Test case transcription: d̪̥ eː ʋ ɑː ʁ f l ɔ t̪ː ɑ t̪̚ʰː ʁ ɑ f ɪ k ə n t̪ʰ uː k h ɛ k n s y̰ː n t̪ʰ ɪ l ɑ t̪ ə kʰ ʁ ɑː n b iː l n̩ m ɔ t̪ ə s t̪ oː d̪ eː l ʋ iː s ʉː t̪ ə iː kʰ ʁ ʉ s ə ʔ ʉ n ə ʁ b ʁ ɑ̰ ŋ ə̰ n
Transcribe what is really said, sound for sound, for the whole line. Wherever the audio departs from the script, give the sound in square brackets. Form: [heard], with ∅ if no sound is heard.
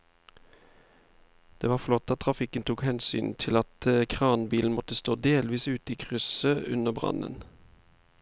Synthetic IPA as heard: d̪̥ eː ʋ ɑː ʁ f l ɔ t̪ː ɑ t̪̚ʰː ʁ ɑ f ɪ k ə n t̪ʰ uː k h ɛ [∅] n s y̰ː n t̪ʰ ɪ l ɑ t̪ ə kʰ ʁ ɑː n b iː l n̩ m ɔ t̪ ə s t̪ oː d̪ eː l ʋ iː s ʉː t̪ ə iː kʰ ʁ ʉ s ə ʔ ʉ n ə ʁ b ʁ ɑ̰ [n] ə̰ n